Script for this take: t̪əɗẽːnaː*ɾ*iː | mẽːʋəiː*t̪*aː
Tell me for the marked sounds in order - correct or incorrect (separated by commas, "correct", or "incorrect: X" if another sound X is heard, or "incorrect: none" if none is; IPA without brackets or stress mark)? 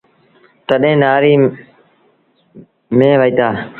correct, correct